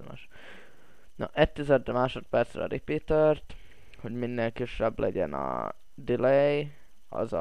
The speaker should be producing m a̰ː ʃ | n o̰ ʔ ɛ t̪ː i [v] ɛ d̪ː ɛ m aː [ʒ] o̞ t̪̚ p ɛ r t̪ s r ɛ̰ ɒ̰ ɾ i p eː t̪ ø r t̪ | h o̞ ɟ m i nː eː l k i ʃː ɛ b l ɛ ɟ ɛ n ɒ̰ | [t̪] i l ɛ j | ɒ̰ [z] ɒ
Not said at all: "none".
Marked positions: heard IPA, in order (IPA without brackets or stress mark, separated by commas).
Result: z, ʃ, d̪, z